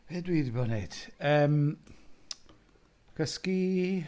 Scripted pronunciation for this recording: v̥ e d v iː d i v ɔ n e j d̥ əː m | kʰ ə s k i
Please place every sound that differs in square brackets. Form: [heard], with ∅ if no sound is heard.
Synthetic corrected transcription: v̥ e d [w] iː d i [b] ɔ n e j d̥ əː m | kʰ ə s k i